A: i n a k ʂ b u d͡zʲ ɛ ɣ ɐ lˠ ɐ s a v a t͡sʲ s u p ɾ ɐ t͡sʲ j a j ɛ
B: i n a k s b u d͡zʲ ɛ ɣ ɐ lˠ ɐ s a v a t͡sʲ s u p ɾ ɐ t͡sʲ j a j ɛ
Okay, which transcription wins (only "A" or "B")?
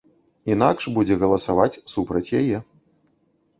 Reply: A